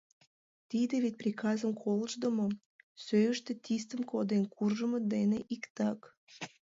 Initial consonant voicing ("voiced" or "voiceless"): voiceless